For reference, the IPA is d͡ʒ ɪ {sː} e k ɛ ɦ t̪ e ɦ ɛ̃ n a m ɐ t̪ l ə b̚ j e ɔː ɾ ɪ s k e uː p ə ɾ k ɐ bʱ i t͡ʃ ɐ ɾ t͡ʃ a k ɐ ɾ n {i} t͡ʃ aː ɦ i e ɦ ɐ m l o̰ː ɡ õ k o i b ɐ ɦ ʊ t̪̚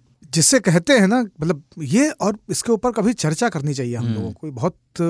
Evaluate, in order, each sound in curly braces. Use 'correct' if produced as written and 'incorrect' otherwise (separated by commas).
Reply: correct, correct